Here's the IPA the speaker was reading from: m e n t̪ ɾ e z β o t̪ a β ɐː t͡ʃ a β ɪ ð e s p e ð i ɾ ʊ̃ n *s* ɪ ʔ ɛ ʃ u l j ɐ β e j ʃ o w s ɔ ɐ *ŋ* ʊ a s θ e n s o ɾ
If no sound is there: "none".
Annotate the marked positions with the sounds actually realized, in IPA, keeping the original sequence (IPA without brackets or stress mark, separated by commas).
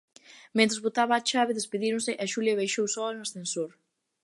s, n